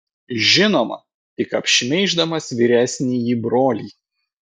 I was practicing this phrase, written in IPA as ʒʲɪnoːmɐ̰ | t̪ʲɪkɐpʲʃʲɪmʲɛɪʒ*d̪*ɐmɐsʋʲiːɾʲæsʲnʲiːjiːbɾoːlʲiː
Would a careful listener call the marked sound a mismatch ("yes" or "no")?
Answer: no